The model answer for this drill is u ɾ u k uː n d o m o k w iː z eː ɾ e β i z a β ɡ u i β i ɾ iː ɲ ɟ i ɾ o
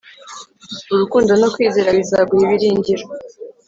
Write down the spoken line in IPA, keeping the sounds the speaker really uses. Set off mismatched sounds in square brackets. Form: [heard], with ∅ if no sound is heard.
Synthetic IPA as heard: u ɾ u k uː n d o [n] o k w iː z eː ɾ [a] β i z a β ɡ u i β i ɾ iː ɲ ɟ i ɾ o